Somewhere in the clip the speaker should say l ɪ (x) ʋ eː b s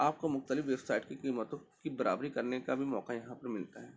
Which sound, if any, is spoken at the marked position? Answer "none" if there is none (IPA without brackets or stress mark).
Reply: f